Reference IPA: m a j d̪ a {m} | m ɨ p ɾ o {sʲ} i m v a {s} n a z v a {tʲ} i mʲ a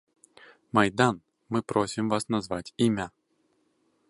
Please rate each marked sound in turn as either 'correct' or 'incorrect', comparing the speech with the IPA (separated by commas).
incorrect, correct, correct, correct